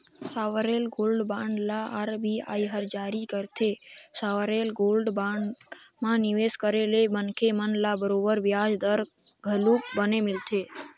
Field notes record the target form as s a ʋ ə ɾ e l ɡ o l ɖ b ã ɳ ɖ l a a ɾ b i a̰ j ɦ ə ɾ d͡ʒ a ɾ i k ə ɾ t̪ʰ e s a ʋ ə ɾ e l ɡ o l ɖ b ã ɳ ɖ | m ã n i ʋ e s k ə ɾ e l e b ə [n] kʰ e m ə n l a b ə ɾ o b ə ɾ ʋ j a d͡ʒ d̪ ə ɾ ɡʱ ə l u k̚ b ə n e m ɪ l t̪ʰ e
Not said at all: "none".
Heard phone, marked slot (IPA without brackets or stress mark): n